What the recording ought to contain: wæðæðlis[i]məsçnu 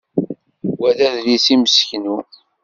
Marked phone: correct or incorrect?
correct